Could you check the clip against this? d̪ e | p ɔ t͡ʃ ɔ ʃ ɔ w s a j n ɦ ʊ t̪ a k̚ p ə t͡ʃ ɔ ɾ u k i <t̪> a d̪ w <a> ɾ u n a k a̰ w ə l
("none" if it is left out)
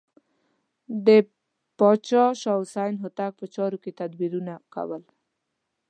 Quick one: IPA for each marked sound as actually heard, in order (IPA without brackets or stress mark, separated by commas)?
t̪, i